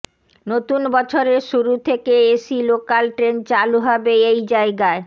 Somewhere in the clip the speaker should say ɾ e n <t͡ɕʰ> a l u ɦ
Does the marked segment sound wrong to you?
yes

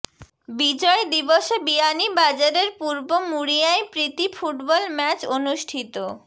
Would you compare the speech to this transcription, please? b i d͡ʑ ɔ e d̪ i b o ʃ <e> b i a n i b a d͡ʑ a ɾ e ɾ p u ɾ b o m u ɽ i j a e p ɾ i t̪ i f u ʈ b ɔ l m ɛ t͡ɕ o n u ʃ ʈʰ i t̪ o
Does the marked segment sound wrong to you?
no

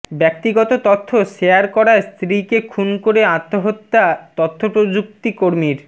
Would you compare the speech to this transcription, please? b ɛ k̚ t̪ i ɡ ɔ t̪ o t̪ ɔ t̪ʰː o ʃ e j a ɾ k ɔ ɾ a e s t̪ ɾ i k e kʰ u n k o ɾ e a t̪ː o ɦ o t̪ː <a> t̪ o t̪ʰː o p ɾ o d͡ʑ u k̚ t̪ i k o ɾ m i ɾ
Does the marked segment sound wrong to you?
no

